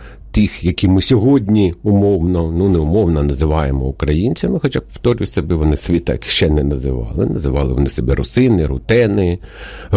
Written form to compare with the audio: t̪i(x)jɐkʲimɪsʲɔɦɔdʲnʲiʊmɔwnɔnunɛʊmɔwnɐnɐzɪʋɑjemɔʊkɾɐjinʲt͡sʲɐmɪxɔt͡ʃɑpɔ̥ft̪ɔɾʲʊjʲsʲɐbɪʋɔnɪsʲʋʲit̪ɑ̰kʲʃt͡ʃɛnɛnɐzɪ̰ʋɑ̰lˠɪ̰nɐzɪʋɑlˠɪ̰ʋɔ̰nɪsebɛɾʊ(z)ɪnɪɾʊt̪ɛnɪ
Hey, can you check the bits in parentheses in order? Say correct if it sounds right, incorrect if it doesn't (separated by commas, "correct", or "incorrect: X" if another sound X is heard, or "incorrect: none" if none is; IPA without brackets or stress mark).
correct, incorrect: s